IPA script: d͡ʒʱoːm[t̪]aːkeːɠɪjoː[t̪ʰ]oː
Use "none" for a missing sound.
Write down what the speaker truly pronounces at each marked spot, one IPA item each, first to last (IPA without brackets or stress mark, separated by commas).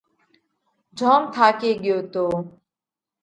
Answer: t̪ʰ, t̪